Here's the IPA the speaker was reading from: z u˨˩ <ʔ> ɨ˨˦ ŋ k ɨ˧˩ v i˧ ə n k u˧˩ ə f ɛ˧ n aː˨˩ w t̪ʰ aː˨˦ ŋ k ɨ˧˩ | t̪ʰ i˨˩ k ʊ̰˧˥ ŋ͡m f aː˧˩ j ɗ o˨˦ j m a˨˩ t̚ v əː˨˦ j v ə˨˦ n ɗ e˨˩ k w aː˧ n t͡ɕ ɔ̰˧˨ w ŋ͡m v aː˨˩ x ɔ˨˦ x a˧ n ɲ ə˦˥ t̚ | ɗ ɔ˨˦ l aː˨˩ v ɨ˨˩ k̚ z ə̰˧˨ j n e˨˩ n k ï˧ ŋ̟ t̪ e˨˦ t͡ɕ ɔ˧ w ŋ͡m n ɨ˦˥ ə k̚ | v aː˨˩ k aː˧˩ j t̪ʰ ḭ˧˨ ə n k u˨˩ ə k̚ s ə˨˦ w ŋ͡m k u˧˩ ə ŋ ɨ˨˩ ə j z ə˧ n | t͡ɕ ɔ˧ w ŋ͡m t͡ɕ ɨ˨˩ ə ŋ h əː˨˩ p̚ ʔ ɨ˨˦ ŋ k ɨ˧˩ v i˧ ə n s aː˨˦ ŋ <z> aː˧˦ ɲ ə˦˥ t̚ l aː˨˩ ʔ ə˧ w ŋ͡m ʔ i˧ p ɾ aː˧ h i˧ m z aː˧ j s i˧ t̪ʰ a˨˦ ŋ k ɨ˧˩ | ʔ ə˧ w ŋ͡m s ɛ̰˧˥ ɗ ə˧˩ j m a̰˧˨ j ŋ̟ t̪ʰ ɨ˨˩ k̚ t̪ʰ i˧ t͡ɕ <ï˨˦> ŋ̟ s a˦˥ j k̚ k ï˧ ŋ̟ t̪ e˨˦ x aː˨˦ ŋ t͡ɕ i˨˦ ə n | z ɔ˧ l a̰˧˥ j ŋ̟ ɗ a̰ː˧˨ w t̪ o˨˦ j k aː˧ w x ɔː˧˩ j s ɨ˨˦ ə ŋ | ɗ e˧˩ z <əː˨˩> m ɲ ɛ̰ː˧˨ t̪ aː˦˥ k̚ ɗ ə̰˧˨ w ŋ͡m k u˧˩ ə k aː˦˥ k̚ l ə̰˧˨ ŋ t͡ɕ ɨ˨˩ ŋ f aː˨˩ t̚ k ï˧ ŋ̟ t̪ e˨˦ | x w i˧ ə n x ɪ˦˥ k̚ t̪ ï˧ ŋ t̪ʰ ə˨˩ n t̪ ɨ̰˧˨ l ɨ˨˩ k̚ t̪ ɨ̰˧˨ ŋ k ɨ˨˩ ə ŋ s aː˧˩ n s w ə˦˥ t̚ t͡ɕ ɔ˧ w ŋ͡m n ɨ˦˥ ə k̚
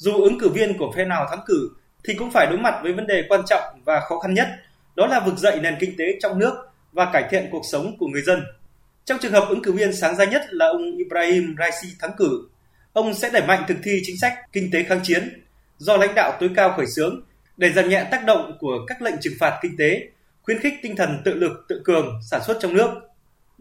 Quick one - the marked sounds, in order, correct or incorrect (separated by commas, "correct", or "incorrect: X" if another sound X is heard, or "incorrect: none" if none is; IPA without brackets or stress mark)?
correct, correct, correct, incorrect: aː˨˩